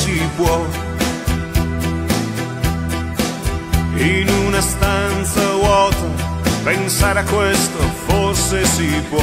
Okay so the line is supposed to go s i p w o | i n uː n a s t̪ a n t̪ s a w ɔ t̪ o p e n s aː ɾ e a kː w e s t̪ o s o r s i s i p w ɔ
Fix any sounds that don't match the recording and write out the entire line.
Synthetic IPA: s i p w ɔ | i n u n a s t̪ a n t̪ s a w ɔ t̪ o p e n s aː ɾ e a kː w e s t̪ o f o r s e s i p w ɔ